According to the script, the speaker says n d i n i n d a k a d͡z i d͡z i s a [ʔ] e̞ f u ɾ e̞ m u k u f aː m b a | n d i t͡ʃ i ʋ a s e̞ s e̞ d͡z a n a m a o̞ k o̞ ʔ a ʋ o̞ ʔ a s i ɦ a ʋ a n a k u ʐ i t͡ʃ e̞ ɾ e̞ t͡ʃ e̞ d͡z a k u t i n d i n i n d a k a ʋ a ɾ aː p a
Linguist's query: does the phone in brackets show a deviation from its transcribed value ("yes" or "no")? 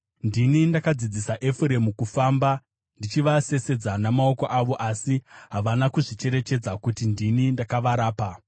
no